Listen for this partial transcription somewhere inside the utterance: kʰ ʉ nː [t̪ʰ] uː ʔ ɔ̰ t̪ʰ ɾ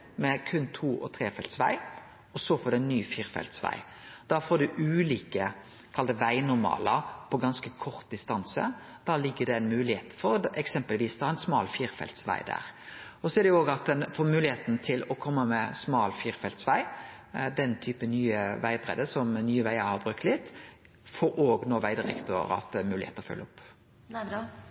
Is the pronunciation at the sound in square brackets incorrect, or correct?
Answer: correct